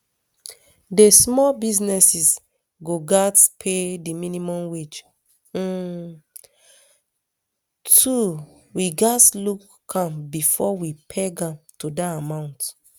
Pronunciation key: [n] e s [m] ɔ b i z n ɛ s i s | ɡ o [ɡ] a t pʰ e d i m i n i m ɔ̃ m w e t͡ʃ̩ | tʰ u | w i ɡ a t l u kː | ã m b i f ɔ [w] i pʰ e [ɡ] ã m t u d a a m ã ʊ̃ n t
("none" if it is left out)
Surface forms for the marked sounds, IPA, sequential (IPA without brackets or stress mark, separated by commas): d, m, ɡ, w, ɡ